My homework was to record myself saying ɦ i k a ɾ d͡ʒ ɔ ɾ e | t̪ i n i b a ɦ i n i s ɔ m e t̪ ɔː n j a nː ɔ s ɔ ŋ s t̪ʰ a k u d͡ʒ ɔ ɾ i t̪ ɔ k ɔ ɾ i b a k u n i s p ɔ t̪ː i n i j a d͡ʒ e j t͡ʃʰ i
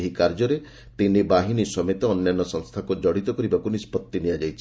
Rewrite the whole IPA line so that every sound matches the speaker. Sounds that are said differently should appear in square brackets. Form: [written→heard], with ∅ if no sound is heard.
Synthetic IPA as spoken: ɦ i k a ɾ d͡ʒ ɔ ɾ e | t̪ i n i b a ɦ i n i s ɔ m e t̪ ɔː n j a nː ɔ s ɔ ŋ s t̪ʰ a k u d͡ʒ ɔ [ɾ→ɽ] i t̪ ɔ k ɔ ɾ i b a k u n i s p ɔ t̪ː i n i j a d͡ʒ [e→a] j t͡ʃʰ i